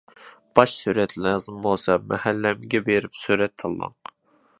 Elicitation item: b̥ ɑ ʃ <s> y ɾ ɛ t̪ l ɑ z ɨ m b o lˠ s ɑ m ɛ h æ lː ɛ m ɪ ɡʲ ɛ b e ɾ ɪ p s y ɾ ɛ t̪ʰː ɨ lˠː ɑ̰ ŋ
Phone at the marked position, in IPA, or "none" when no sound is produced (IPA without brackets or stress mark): s